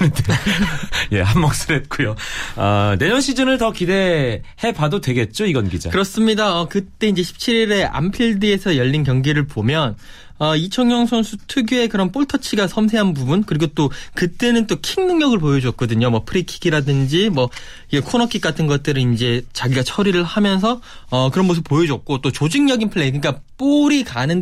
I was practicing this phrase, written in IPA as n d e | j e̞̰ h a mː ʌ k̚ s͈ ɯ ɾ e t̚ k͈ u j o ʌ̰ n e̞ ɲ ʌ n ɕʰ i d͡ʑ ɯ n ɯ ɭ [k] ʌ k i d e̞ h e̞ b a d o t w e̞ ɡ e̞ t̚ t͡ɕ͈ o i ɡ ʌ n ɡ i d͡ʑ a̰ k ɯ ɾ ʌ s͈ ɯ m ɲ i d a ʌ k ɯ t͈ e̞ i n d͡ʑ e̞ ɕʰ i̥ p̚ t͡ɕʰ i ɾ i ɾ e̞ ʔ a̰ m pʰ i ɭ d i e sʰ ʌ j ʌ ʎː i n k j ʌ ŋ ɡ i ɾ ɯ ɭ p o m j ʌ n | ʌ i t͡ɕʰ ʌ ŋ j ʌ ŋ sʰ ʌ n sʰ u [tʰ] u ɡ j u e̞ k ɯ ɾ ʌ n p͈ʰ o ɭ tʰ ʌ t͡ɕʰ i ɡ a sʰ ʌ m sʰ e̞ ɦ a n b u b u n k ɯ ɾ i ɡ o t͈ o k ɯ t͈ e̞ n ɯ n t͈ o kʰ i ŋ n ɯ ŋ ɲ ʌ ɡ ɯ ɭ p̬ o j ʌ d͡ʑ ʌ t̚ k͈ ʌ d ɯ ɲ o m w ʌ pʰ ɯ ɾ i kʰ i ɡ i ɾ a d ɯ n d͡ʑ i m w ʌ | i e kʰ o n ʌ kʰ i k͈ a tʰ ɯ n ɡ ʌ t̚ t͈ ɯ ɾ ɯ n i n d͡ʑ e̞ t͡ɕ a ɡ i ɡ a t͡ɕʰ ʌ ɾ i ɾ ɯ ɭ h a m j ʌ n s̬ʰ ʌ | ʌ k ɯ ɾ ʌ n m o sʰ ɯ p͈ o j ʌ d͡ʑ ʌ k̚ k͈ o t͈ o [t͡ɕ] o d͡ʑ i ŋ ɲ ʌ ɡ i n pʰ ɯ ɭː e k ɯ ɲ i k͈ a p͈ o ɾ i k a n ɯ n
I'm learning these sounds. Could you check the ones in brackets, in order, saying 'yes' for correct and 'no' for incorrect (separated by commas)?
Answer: no, yes, yes